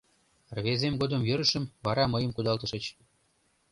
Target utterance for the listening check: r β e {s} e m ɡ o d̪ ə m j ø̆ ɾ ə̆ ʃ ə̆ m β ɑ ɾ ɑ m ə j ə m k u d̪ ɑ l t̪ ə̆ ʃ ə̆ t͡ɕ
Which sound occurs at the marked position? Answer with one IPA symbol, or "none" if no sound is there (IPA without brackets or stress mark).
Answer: z